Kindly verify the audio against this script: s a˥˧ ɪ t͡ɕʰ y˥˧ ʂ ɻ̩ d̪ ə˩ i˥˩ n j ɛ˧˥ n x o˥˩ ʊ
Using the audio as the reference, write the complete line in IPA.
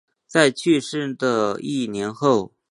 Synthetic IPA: t͡s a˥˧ ɪ t͡ɕʰ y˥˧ ʂ ɻ̩ d̪ ə˩ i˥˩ n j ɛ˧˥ n x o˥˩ ʊ